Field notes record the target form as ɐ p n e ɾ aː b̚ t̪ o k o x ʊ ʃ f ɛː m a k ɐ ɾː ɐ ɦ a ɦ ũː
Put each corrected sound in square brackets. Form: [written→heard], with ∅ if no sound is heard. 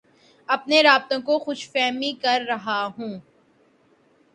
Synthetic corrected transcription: ɐ p n e ɾ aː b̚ t̪ [o→õ] k o x ʊ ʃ f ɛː m [a→i] k ɐ ɾː ɐ ɦ a ɦ ũː